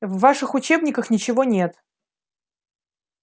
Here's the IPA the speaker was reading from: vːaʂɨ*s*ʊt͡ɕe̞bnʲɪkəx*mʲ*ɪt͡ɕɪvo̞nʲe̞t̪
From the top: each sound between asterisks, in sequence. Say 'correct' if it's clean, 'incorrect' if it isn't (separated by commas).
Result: incorrect, incorrect